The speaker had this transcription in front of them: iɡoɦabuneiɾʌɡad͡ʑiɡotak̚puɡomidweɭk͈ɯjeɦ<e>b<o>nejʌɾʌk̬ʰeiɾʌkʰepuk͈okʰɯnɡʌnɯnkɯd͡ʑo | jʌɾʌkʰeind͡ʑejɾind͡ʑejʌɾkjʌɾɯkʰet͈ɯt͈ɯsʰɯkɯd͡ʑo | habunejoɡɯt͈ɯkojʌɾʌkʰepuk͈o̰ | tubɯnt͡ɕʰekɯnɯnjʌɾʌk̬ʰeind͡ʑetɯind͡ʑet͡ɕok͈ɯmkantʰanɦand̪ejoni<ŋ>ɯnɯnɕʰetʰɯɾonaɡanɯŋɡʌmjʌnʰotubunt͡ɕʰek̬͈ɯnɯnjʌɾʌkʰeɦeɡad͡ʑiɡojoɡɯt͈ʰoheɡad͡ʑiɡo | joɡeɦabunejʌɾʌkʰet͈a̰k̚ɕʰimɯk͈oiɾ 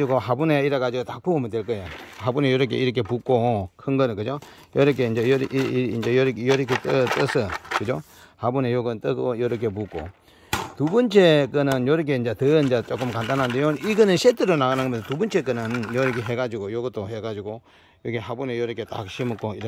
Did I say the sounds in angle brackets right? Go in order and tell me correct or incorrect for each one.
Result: incorrect, incorrect, incorrect

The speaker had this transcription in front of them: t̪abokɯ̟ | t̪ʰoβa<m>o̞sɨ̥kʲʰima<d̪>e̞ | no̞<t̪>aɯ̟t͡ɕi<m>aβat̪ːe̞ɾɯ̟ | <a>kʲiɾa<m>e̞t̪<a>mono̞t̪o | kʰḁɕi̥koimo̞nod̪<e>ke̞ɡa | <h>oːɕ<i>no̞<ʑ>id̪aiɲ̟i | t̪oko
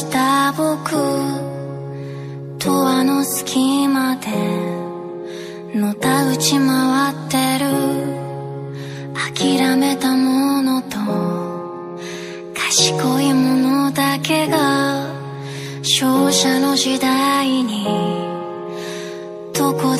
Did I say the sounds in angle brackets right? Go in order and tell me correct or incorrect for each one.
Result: incorrect, correct, correct, correct, correct, correct, correct, incorrect, incorrect, incorrect, correct

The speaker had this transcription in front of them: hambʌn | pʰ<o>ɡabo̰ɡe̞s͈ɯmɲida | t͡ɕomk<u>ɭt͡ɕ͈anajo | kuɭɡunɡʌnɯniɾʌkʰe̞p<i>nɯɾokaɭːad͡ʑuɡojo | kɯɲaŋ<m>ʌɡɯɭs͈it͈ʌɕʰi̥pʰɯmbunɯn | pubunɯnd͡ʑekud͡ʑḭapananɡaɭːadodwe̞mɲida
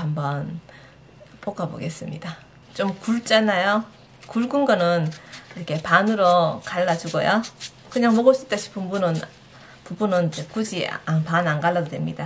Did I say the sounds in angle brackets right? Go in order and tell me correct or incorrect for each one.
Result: correct, correct, incorrect, correct

